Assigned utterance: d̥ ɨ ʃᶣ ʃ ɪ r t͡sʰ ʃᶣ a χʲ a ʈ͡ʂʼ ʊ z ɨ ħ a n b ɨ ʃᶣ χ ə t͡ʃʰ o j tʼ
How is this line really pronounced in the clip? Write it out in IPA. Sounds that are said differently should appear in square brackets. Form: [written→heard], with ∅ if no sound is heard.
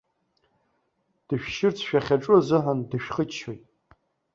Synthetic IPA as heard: d̥ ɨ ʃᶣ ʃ ɪ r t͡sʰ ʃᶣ a χʲ a ʈ͡ʂʼ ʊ z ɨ ħ a n [b→d] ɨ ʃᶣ χ ə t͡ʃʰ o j tʼ